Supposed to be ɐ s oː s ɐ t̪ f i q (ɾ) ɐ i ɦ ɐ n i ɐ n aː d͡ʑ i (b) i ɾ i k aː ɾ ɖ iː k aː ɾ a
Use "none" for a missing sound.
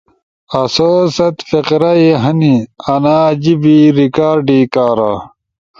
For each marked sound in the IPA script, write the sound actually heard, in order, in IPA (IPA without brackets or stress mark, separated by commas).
ɾ, b